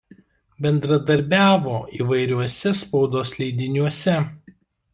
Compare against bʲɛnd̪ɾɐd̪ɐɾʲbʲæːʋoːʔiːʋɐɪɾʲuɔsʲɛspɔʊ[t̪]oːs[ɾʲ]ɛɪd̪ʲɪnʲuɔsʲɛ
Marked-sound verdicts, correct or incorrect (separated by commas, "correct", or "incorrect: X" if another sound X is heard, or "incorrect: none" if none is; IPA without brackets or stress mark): incorrect: d̪, incorrect: lʲ